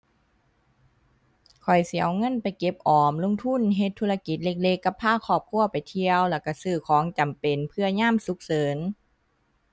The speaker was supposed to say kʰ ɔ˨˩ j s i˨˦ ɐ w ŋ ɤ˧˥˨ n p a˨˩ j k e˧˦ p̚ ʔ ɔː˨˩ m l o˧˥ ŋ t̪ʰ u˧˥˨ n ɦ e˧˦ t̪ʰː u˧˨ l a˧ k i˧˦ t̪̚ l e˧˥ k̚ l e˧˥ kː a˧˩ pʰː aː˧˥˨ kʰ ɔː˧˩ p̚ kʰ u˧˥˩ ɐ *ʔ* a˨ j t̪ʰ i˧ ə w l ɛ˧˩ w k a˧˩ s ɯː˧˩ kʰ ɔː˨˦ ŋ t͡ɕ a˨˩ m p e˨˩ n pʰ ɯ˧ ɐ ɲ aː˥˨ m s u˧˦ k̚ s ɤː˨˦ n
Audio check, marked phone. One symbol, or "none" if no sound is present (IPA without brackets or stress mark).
p